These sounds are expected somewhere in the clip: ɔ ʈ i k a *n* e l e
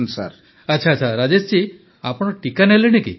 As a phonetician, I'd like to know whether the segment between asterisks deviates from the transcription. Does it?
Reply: no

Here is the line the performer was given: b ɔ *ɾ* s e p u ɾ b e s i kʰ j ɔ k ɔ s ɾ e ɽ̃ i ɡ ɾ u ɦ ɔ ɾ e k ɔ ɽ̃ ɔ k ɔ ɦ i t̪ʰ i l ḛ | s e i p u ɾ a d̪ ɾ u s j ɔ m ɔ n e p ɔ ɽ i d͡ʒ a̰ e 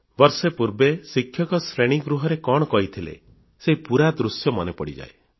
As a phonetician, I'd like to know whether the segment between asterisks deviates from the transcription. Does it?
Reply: no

